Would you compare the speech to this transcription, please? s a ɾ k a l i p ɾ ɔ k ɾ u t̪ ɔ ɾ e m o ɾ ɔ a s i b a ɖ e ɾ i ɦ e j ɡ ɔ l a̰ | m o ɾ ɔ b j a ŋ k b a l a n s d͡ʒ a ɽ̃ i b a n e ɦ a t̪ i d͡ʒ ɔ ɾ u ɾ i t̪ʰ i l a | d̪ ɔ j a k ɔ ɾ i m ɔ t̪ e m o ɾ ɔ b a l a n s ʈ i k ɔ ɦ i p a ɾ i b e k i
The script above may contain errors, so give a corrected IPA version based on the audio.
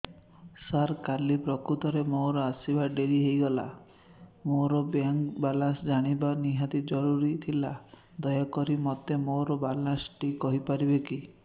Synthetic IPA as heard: s a ɾ k a l i p ɾ ɔ k ɾ u t̪ ɔ ɾ e m o ɾ ɔ a s i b a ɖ e ɾ i ɦ e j ɡ ɔ l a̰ | m o ɾ ɔ b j a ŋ k b a l a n s d͡ʒ a ɽ̃ i b a n i ɦ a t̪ i d͡ʒ ɔ ɾ u ɾ i t̪ʰ i l a | d̪ ɔ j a k ɔ ɾ i m ɔ t̪ e m o ɾ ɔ b a l a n s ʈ i k ɔ ɦ i p a ɾ i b e k i